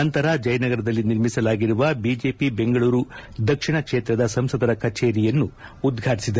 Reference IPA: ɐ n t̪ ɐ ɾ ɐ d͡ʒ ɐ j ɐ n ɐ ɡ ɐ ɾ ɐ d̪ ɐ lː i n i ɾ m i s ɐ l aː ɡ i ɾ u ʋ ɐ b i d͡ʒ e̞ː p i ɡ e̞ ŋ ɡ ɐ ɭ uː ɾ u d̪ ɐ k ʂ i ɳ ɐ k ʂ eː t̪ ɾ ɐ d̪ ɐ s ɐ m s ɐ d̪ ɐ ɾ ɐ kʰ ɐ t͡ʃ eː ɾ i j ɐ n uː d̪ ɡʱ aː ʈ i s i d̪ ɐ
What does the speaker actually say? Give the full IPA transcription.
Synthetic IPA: ɐ n t̪ ɐ ɾ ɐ d͡ʒ ɐ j ɐ n ɐ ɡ ɐ ɾ ɐ d̪ ɐ lː i n i ɾ m i s ɐ l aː ɡ i ɾ u ʋ ɐ b i d͡ʒ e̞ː p i b e̞ ŋ ɡ ɐ ɭ uː ɾ u d̪ ɐ k ʂ i ɳ ɐ k ʂ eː t̪ ɾ ɐ d̪ ɐ s ɐ m s ɐ d̪ ɐ ɾ ɐ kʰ ɐ t͡ʃ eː ɾ i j ɐ nː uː d̪ ɡʱ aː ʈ i s i d̪ ɐ